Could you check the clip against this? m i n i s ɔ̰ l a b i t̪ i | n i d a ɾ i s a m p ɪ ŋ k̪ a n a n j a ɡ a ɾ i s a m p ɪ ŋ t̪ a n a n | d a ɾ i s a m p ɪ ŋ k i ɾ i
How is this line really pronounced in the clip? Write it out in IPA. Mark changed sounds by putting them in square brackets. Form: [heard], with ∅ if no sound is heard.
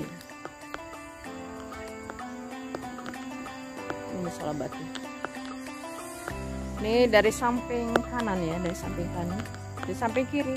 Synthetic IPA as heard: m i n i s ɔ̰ l a b [a] t̪ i | n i d a ɾ i s a m p ɪ ŋ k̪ a n a n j a [d] a ɾ i s a m p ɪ ŋ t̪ a n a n | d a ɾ i s a m p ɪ ŋ k i ɾ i